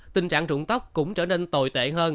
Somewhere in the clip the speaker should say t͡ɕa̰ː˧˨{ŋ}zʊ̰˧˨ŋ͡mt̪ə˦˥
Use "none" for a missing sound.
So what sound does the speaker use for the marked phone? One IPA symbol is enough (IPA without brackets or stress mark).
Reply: ŋ